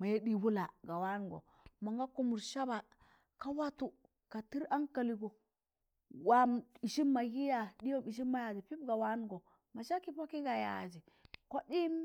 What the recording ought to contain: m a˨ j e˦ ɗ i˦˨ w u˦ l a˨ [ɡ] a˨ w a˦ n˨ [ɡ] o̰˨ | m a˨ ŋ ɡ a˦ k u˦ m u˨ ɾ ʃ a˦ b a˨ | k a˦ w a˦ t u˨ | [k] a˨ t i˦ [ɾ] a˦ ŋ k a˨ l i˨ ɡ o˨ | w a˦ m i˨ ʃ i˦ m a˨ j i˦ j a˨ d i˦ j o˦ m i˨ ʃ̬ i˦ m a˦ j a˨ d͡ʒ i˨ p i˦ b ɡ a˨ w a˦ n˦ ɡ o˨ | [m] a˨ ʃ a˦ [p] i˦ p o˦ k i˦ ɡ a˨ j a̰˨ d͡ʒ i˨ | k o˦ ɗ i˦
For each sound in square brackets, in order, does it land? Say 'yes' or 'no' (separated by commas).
yes, yes, yes, yes, yes, no